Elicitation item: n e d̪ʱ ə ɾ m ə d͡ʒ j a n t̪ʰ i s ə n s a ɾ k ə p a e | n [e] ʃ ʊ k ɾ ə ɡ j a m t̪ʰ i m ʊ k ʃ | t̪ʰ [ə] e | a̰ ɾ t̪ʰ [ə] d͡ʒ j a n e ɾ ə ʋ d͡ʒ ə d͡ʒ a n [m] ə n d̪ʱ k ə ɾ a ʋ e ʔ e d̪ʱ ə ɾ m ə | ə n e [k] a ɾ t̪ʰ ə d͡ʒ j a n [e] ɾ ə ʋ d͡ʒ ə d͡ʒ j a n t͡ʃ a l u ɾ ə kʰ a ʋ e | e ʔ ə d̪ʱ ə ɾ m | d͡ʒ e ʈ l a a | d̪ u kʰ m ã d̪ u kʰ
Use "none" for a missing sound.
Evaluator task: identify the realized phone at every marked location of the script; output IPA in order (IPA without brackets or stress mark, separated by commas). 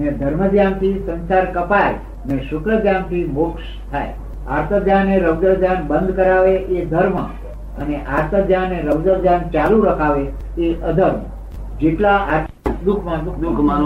e, a, ə, b, ʔ, e